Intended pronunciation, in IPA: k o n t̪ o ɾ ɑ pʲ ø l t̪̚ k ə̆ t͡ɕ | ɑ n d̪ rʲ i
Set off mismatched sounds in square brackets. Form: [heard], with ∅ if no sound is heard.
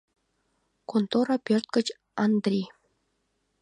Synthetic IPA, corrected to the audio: k o n t̪ o ɾ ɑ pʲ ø [r] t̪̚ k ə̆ t͡ɕ | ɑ n d̪ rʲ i